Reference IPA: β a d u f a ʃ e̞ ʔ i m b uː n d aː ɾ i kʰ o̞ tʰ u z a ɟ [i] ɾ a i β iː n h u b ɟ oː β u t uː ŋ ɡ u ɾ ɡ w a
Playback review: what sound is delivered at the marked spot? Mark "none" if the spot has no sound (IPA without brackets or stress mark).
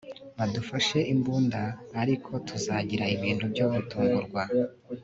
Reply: i